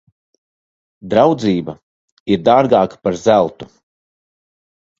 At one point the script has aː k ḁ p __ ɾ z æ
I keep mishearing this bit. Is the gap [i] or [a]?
a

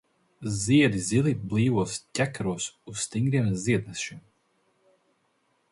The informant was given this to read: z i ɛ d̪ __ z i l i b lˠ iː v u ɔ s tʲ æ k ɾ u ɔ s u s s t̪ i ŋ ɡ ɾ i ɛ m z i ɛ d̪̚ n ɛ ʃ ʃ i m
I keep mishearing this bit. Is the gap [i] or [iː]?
i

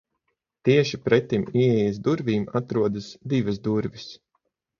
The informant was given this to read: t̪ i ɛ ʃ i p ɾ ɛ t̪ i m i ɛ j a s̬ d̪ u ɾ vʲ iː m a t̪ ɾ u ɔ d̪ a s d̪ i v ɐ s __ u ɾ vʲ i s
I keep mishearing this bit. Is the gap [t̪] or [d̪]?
d̪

